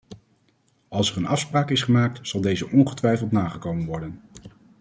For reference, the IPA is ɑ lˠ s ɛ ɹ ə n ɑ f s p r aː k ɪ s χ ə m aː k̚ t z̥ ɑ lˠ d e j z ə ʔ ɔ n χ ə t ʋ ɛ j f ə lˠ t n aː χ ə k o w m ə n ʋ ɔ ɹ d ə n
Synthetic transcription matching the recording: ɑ lˠ s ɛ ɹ ə n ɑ f s p r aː k ɪ s χ ə m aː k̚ t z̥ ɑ lˠ d e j z ə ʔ ɔ n χ ə t ʋ ɛ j f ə lˠ t n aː χ ə k o w m ə n ʋ ɔ ɹ d ə n